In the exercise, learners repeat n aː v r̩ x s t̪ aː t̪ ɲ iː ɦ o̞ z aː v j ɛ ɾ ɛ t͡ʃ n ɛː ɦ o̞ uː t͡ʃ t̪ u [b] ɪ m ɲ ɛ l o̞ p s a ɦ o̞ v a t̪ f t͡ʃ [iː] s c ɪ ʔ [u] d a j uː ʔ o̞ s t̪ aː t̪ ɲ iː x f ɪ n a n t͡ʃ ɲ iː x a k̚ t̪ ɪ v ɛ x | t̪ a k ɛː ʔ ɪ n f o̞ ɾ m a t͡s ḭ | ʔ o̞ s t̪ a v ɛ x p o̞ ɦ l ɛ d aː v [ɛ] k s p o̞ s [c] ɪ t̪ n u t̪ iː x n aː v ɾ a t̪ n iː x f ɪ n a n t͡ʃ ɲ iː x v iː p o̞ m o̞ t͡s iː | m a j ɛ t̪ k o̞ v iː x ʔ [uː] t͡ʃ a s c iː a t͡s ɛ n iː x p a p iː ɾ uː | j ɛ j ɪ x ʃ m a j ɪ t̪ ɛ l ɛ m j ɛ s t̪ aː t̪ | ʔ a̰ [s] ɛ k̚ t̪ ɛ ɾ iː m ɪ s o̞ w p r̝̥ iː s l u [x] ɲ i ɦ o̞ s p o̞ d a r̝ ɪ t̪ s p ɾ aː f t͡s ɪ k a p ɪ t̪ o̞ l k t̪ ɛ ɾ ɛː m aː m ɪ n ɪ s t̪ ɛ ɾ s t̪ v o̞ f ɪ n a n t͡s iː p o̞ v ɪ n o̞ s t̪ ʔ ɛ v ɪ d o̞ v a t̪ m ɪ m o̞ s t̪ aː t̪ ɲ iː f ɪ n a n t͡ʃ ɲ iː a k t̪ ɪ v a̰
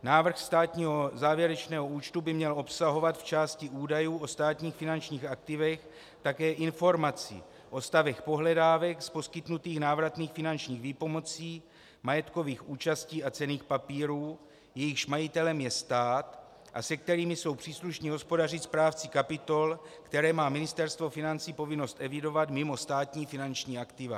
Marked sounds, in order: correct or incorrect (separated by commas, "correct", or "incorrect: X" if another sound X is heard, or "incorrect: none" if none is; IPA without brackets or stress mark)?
correct, incorrect: aː, incorrect: uː, correct, incorrect: k, correct, correct, incorrect: ʃ